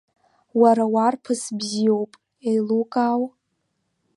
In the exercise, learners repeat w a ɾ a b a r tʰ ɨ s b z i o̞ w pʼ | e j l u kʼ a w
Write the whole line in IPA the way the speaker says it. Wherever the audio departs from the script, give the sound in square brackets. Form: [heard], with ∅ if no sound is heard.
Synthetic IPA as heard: w a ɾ a [w] a r [pʰ] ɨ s b z i o̞ w pʼ | e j l u kʼ a w